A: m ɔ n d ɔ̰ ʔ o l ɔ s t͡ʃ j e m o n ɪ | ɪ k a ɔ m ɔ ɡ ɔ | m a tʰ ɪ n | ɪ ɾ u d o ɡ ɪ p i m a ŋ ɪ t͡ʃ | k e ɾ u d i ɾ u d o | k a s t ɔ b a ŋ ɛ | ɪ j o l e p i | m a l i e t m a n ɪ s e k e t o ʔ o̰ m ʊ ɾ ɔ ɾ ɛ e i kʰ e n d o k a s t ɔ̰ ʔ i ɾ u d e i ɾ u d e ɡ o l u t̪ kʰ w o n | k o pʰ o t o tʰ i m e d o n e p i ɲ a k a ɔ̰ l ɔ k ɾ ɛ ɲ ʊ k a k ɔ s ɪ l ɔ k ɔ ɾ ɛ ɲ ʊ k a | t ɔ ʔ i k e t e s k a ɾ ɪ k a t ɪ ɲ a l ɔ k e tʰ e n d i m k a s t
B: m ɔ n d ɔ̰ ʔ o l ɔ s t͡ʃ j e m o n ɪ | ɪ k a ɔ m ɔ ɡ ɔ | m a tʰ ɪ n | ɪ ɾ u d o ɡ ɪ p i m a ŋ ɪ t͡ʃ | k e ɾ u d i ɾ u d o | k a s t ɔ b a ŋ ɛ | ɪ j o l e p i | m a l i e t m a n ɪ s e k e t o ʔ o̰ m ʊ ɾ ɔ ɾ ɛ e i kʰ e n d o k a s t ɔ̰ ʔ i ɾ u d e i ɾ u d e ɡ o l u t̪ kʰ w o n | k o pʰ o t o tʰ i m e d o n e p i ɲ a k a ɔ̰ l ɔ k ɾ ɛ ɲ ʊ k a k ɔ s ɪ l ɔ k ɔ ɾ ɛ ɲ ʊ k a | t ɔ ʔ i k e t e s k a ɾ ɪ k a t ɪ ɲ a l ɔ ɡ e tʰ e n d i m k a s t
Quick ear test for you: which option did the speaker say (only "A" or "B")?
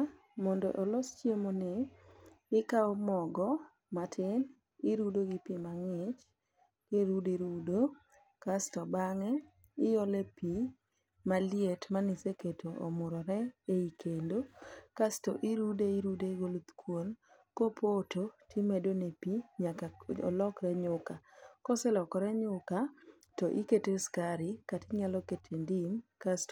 A